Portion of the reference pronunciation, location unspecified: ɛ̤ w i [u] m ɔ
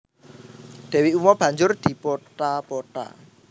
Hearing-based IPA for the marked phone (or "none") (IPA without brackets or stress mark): u